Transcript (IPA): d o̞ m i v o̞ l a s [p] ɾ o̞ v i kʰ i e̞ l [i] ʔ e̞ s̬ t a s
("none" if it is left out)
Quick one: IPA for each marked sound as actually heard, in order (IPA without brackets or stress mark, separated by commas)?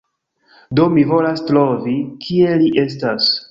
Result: t, i